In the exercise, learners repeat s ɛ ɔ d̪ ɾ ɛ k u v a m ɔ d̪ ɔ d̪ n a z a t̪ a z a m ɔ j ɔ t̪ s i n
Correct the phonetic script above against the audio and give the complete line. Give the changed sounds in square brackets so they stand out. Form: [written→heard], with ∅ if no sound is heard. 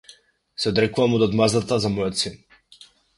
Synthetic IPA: s ɛ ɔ d̪ ɾ ɛ k u v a m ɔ d̪ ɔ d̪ [n→m] a z a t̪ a z a m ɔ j ɔ t̪ s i n